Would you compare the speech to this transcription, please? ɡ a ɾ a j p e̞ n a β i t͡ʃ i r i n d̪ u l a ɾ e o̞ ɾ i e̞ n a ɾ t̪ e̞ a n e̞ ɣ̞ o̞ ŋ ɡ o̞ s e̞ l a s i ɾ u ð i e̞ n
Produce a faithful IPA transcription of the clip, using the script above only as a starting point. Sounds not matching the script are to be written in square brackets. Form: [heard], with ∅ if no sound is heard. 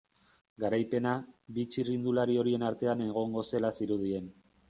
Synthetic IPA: ɡ a ɾ a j p e̞ n a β i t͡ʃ i r i n d̪ u l a ɾ [i] o̞ ɾ i e̞ n a ɾ t̪ e̞ a n e̞ ɣ̞ o̞ ŋ ɡ o̞ s e̞ l a s i ɾ u ð i e̞ n